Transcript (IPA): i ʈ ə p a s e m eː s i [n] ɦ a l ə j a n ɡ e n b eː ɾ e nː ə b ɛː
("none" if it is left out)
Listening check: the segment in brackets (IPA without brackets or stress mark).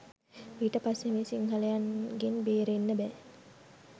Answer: ŋ